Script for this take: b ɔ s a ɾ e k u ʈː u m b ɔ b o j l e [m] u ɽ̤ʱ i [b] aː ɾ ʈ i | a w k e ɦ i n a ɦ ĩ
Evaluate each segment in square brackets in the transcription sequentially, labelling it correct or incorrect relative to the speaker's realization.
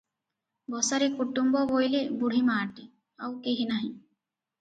incorrect: b, incorrect: m

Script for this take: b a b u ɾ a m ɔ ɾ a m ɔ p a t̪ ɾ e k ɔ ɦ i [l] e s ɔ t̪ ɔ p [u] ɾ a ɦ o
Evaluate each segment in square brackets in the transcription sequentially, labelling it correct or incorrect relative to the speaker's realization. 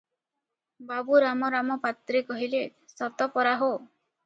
correct, incorrect: ɔ

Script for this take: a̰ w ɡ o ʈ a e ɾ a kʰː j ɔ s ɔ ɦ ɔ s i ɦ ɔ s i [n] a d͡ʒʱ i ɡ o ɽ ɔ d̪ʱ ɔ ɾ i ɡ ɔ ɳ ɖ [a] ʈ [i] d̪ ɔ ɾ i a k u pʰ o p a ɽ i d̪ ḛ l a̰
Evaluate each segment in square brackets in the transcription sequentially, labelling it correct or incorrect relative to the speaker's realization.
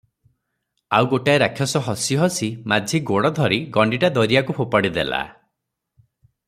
incorrect: m, incorrect: i, incorrect: a

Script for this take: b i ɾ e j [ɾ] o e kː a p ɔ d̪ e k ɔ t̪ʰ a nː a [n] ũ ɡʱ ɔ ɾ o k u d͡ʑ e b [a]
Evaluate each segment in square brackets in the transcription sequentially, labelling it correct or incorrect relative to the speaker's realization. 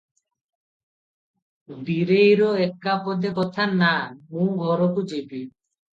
correct, incorrect: m, incorrect: i

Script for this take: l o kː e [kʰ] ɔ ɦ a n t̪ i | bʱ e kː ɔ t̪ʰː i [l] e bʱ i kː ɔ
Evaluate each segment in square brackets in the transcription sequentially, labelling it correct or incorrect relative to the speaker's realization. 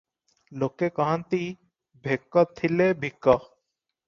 incorrect: k, correct

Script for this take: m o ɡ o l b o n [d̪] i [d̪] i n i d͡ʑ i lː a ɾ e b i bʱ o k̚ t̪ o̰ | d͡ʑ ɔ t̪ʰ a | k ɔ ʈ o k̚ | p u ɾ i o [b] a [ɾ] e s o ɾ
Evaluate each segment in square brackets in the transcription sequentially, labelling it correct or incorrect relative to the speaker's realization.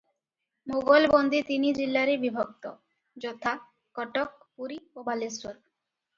correct, incorrect: t̪, correct, incorrect: l

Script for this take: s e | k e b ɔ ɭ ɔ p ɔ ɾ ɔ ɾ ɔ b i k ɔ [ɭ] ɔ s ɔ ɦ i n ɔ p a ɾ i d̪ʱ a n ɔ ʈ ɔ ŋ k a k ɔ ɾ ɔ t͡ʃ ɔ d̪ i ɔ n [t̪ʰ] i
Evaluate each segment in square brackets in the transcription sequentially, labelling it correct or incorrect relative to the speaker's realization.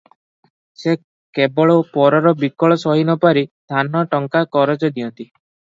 correct, incorrect: t̪

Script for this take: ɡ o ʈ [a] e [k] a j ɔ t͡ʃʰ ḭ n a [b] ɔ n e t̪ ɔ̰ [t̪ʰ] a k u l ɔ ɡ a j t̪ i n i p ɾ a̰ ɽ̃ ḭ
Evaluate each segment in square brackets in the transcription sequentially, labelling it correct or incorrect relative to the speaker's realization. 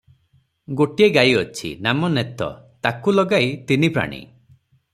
incorrect: i, incorrect: ɡ, incorrect: m, incorrect: t̪

